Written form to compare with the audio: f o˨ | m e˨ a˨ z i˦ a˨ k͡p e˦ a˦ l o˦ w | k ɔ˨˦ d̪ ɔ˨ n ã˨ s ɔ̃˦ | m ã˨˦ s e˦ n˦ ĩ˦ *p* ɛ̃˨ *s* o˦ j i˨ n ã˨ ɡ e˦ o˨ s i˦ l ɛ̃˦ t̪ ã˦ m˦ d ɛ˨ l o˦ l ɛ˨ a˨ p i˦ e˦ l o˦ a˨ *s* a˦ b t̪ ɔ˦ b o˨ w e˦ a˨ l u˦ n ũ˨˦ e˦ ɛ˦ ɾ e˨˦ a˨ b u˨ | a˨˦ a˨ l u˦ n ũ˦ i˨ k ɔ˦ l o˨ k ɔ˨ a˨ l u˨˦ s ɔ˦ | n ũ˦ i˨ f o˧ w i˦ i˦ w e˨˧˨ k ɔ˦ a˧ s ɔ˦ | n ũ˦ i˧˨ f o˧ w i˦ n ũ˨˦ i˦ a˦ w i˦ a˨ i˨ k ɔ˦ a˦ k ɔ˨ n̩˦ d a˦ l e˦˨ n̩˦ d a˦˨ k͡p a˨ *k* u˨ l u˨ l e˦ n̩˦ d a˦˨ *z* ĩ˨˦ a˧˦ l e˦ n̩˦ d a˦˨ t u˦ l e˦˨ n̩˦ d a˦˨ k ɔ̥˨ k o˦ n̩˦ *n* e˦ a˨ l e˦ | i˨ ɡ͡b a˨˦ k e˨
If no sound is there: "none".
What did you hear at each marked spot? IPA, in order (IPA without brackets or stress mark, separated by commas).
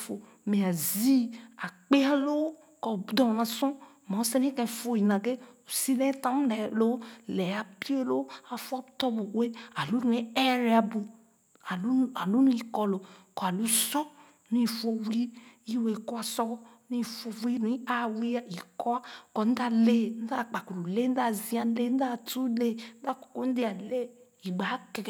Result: k, f, f, k, z, d